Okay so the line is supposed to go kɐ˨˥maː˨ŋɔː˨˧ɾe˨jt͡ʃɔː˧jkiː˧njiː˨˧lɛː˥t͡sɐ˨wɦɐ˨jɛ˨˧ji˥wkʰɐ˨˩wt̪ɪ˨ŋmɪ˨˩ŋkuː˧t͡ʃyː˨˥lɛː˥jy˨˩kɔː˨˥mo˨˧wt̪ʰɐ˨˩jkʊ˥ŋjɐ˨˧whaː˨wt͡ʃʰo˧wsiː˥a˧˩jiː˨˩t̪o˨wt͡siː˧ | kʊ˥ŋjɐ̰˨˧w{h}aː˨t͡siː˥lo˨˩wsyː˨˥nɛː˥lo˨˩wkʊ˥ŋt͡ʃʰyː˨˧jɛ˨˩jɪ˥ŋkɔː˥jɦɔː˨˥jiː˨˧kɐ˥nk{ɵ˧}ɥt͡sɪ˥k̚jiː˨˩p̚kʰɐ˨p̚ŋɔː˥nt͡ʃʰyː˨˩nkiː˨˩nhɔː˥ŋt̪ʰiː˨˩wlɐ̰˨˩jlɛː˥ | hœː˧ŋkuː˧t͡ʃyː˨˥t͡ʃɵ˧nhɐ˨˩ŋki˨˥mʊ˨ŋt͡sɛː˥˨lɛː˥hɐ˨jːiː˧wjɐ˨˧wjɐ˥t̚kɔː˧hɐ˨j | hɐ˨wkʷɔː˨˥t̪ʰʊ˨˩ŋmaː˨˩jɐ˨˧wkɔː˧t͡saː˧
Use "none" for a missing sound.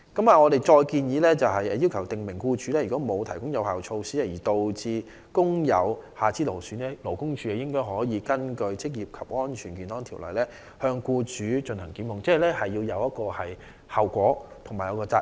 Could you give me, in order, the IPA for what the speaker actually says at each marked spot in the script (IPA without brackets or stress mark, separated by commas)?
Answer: h, ɵ˧